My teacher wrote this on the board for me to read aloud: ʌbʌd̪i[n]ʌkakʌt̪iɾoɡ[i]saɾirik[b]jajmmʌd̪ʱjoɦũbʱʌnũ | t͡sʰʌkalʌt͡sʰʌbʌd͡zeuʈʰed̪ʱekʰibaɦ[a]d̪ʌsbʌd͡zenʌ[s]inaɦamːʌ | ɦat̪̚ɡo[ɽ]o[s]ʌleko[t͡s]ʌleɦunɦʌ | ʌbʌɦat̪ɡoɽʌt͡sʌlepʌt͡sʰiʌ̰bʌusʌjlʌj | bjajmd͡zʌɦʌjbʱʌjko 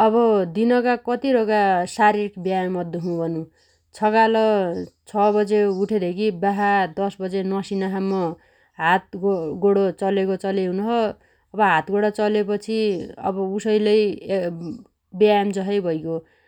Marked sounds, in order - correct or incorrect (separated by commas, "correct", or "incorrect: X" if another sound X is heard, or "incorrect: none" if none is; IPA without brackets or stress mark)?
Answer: correct, incorrect: a, correct, correct, correct, correct, incorrect: t͡s, correct